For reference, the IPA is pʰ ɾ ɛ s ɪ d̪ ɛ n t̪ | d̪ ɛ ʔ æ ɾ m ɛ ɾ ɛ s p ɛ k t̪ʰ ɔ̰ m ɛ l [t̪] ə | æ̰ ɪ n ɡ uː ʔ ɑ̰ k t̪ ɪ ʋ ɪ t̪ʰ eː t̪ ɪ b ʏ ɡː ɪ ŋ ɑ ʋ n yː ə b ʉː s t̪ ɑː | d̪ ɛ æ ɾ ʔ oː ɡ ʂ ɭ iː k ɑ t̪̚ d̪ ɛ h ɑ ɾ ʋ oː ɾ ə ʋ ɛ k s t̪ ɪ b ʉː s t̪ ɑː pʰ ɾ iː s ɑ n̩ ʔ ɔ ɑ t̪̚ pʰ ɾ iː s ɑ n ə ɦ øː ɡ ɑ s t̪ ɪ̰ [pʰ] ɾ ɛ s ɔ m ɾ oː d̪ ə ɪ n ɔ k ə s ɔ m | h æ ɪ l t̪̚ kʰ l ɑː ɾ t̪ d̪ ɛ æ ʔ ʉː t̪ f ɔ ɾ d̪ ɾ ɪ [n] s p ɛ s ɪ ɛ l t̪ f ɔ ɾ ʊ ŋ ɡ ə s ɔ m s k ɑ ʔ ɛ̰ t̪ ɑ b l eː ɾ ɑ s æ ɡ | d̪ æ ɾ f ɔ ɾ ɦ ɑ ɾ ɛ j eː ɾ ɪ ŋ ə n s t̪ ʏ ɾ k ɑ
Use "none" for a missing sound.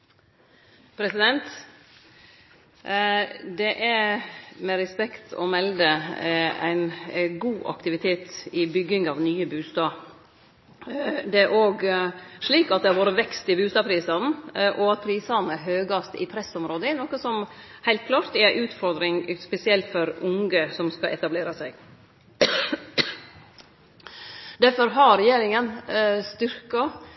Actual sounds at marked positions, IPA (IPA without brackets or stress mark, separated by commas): d̪, pʰ, ŋ